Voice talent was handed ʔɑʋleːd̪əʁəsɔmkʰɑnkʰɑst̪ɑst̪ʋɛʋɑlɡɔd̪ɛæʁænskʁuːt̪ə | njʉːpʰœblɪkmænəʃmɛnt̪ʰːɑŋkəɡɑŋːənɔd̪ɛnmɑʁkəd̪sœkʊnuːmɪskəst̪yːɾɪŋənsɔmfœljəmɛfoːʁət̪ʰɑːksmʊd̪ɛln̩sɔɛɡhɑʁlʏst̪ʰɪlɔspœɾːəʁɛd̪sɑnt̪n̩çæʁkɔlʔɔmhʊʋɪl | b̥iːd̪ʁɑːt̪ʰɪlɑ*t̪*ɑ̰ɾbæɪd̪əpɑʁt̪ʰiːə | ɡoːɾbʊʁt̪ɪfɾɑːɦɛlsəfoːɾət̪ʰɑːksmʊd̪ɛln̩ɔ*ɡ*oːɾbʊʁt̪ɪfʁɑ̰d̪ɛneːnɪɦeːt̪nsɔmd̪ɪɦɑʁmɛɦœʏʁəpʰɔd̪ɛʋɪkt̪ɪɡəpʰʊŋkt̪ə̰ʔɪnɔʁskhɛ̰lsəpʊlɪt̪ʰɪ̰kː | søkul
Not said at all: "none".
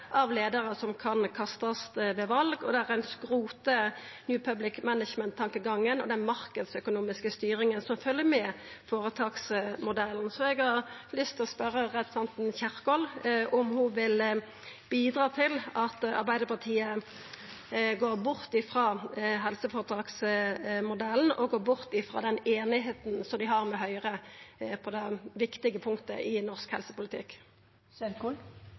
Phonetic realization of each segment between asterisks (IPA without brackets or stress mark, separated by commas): t̪, ɡ